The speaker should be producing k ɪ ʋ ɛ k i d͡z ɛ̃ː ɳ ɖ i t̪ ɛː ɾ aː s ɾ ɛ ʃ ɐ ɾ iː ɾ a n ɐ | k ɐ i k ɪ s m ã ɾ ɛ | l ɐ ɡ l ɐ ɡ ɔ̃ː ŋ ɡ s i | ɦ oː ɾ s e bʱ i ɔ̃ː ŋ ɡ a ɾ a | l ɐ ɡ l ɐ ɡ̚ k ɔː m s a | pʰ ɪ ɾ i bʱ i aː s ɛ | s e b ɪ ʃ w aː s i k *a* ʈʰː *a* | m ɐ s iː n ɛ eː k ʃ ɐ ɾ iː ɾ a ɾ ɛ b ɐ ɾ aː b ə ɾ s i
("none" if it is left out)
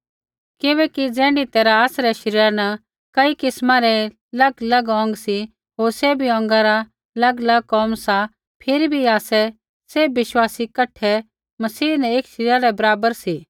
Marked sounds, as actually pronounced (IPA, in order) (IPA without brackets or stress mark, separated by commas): ɐ, ɛ